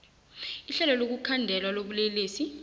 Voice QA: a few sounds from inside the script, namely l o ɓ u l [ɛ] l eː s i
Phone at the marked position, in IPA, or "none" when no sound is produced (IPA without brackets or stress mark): e